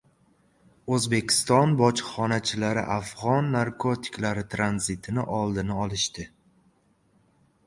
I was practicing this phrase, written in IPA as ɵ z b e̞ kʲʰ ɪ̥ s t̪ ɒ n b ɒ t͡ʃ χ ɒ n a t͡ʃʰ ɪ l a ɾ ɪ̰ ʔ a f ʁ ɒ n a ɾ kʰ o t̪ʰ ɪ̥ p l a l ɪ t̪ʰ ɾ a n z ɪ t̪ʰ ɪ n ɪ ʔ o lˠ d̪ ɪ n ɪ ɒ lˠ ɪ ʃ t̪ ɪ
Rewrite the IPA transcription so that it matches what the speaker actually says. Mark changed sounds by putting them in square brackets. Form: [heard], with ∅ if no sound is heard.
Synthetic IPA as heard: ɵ z b e̞ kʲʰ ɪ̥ s t̪ ɒ n b ɒ t͡ʃ χ ɒ n a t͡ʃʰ ɪ l a ɾ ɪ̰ ʔ a f ʁ ɒ [nː] a ɾ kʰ o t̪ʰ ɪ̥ [k] l a [ɾ] ɪ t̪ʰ ɾ a n z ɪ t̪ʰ ɪ n ɪ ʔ [ɒ] lˠ d̪ ɪ n ɪ ɒ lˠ ɪ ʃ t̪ ɪ

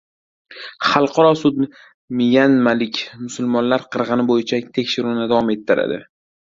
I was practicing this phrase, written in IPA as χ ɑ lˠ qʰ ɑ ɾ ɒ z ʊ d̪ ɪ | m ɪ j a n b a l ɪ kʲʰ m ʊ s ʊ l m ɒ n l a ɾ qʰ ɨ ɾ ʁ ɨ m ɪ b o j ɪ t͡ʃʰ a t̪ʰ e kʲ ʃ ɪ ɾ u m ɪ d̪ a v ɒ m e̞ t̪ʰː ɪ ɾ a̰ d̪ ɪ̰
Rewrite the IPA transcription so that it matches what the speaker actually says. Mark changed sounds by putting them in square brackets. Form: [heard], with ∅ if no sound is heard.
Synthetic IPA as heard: χ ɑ lˠ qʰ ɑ ɾ ɒ [s] ʊ d̪ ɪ | m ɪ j a n [m] a l ɪ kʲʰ m ʊ s ʊ l m ɒ n l a ɾ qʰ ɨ ɾ ʁ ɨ [n] ɪ b o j ɪ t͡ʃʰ a t̪ʰ e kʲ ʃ ɪ ɾ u [n] ɪ d̪ a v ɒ m e̞ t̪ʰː ɪ ɾ a̰ d̪ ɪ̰

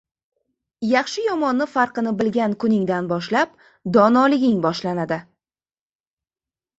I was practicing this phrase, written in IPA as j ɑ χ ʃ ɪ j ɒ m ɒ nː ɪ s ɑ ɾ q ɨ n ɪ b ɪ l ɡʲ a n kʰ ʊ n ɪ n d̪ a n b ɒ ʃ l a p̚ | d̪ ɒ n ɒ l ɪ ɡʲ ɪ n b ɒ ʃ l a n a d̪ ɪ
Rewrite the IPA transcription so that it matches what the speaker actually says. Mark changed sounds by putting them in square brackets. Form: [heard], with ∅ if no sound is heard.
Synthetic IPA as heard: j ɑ χ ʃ ɪ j ɒ m ɒ nː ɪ [f] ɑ ɾ q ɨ n ɪ b ɪ l ɡʲ a n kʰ ʊ n ɪ [ŋ] d̪ a n b ɒ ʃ l a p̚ | d̪ ɒ n ɒ l ɪ ɡʲ ɪ [ŋ] b ɒ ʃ l a n a d̪ ɪ

